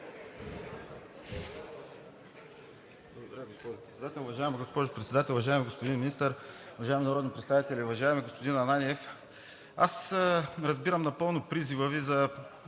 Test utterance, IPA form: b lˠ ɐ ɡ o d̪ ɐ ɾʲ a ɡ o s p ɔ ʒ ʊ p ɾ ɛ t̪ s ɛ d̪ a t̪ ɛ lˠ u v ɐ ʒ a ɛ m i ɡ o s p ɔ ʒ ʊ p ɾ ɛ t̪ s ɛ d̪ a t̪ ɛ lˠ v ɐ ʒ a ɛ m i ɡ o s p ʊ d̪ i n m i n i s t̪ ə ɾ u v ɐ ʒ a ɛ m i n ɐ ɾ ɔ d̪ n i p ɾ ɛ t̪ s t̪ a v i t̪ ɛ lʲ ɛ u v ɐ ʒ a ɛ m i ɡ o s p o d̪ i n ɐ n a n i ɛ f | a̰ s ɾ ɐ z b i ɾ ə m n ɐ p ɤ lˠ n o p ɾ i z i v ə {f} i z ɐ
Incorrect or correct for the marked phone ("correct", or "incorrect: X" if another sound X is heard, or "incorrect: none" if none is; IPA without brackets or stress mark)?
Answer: incorrect: v